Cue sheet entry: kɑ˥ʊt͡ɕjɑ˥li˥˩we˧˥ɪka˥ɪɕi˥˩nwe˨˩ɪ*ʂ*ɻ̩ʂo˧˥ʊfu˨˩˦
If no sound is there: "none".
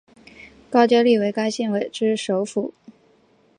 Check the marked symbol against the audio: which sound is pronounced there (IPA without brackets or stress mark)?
ʈ͡ʂ